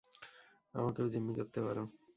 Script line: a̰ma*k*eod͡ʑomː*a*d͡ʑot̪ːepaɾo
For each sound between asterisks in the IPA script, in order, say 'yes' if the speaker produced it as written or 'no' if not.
yes, no

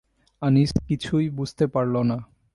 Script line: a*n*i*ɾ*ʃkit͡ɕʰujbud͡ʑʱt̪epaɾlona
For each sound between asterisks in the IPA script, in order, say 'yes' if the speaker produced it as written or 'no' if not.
yes, no

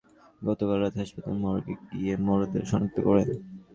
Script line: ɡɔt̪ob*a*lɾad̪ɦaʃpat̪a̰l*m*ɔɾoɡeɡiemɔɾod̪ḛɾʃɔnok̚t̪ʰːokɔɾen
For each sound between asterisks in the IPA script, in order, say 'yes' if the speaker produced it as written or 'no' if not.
yes, yes

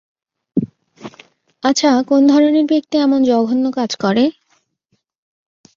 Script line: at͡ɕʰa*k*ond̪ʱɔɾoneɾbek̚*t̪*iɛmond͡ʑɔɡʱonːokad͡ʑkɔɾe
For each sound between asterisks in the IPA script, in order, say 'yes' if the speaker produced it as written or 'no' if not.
yes, yes

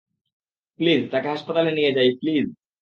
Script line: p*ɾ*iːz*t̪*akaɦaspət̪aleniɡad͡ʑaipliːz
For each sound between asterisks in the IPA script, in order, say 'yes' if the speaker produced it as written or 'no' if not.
no, yes

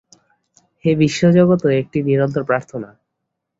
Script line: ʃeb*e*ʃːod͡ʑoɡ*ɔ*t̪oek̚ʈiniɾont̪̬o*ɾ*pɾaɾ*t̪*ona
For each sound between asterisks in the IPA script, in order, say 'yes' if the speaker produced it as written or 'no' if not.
no, no, yes, no

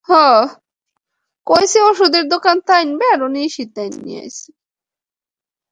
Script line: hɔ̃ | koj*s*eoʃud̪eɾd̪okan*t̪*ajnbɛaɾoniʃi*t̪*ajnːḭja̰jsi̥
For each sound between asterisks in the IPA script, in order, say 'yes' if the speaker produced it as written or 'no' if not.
yes, yes, yes

